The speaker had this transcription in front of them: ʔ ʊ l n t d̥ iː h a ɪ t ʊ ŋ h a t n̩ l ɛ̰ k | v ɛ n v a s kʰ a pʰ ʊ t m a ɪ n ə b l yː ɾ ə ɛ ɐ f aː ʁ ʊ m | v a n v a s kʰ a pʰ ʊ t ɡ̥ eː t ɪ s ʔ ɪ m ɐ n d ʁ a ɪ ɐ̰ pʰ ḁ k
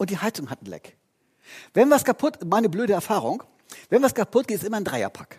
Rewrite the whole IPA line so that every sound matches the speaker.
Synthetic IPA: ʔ ʊ n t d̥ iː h a ɪ t͡s ʊ ŋ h a t n̩ l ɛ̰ k | v ɛ n v a s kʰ a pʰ ʊ t m a ɪ n ə b l øː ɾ ə ɛ ɐ f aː ʁ ʊ ŋ | v ɛ n v a s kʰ a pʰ ʊ t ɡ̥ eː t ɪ s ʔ ɪ m ɐ n d ʁ a ɪ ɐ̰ pʰ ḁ k